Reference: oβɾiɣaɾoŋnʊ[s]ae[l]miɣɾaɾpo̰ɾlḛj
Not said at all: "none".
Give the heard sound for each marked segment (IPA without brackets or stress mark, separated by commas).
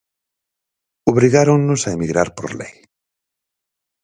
s, none